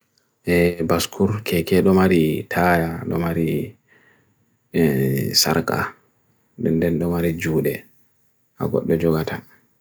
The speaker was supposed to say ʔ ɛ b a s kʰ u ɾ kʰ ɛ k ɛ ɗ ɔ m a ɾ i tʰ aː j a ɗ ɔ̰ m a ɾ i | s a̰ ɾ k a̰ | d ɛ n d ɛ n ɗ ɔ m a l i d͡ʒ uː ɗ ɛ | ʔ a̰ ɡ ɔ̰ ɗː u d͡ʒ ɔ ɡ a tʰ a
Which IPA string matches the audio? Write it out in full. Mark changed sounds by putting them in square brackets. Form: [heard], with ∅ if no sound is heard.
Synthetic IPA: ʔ ɛ b a s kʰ u ɾ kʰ ɛ k ɛ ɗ ɔ m a ɾ i tʰ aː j a ɗ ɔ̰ m a ɾ i | s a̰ ɾ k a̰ | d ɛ n d ɛ n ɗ ɔ m a [ɾ] i d͡ʒ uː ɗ ɛ | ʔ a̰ ɡ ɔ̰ ɗː [ɔ] d͡ʒ ɔ ɡ a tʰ a